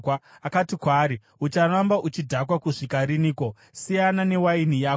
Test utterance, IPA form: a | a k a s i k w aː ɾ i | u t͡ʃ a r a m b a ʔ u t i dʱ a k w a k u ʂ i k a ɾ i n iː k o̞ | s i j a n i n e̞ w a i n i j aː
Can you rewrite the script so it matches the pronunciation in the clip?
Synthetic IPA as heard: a | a k a t i k w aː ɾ i | u t͡ʃ a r a m b a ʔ u t͡ʃ i dʱ a k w a k u ʂ i k a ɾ i n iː k o̞ | s i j a n a n e̞ w a i n i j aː